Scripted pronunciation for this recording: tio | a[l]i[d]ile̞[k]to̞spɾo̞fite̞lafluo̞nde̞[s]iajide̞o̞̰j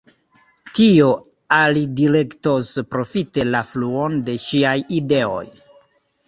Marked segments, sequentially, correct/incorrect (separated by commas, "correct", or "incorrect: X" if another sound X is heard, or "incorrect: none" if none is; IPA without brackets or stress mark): correct, correct, correct, incorrect: ʃ